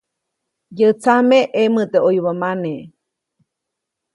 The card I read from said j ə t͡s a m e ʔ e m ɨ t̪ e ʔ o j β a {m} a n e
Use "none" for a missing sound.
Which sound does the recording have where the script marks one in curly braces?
m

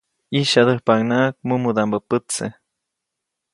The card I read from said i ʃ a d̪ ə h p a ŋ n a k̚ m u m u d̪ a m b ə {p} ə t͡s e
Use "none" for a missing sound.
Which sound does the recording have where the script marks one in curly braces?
p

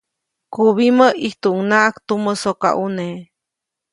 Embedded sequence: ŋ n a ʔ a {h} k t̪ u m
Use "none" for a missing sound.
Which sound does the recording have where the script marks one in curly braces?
none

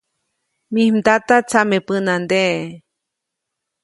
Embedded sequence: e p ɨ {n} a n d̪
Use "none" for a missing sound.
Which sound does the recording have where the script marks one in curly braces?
n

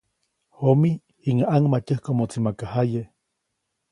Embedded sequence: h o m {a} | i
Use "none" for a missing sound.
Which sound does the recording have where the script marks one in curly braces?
i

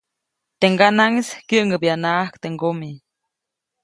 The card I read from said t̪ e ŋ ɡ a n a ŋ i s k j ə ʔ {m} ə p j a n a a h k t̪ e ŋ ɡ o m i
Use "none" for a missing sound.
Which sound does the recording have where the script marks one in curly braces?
ŋ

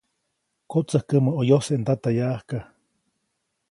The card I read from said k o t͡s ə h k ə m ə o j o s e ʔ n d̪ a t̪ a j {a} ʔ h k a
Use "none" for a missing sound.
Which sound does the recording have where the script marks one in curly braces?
a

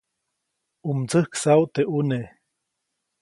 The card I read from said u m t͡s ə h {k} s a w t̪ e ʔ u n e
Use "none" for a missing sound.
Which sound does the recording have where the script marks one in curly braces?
k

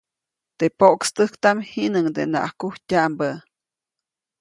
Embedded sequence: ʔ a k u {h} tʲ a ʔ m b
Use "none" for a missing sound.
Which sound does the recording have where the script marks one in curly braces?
h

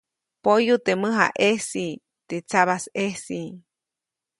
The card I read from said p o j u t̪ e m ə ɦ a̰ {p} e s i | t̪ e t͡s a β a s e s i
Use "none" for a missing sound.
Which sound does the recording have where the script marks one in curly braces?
ʔ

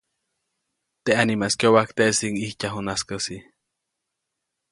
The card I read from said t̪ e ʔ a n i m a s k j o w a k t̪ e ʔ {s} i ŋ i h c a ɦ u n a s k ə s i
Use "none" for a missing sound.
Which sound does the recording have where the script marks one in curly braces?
s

